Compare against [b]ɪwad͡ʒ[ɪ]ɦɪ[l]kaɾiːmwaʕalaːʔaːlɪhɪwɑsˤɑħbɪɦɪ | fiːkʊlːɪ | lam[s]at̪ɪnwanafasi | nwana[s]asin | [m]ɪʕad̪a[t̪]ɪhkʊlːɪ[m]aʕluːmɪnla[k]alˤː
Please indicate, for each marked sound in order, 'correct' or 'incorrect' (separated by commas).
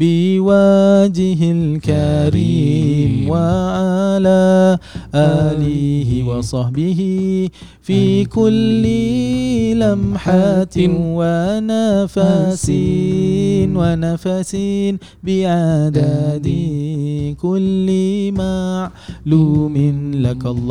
correct, correct, correct, incorrect, incorrect, incorrect, incorrect, correct, correct